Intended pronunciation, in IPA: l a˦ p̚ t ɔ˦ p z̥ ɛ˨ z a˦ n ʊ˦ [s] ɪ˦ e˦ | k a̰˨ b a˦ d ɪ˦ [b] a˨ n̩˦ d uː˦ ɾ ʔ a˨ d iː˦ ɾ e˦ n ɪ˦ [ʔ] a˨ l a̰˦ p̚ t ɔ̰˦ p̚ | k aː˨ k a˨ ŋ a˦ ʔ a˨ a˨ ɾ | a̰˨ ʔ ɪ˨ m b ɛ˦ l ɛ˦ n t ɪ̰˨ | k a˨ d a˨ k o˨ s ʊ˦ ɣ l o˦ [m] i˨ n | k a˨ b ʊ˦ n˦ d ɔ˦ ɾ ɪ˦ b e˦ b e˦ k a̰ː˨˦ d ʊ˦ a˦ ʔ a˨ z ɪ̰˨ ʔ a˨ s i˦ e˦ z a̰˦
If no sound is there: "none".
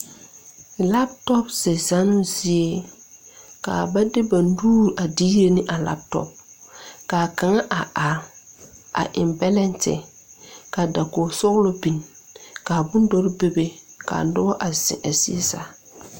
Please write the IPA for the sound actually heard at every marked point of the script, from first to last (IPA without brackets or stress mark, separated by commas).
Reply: z, b, ʔ, b